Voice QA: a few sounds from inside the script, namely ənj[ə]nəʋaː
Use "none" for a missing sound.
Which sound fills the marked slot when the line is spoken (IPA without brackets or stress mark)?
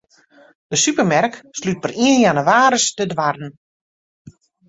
a